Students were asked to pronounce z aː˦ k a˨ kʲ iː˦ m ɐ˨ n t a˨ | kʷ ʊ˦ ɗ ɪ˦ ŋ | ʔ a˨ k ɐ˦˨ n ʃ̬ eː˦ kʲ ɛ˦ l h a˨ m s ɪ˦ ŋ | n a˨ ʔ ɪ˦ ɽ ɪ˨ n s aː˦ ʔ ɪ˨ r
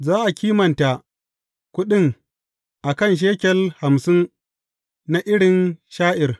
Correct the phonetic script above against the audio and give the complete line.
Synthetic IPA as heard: z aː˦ ʔ a˨ kʲ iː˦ m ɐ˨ n t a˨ | kʷ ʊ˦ ɗ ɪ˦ ŋ | ʔ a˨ k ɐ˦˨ n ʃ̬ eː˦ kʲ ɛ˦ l h a˨ m s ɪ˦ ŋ | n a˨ ʔ ɪ˦ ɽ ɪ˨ n ʃ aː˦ ʔ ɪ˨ r